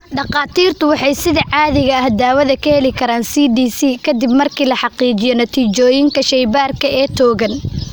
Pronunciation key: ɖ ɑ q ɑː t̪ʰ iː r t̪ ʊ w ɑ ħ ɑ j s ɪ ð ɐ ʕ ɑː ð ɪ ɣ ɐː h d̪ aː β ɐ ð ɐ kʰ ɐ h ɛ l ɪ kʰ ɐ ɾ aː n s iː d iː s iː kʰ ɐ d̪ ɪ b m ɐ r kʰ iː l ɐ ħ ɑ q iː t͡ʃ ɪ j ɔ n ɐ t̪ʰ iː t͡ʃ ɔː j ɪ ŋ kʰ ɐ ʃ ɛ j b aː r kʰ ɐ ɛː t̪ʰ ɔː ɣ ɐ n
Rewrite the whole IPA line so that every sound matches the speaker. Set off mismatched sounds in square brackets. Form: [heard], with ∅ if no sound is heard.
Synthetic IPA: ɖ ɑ q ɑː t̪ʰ iː r t̪ ʊ w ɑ ħ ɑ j s ɪ ð ɐ ʕ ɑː ð ɪ ɣ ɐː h d̪ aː [w] ɐ ð ɐ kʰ ɐ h ɛ l ɪ kʰ ɐ ɾ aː n s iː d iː s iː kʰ ɐ d̪ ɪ b m ɐ r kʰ iː l ɐ ħ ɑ q iː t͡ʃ ɪ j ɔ n ɐ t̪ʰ iː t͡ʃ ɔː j ɪ ŋ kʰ ɐ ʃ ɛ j b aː r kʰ ɐ ɛː t̪ʰ ɔː ɣ ɐ n